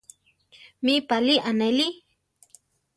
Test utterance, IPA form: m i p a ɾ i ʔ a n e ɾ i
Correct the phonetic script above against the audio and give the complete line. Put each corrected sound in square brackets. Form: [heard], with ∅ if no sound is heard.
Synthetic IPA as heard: m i p a [l] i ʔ a n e [l] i